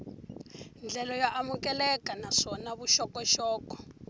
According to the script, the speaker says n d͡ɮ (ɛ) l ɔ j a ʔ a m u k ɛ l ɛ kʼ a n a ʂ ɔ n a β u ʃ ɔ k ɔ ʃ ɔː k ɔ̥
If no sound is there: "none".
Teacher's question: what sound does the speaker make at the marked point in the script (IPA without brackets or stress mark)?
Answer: ɛ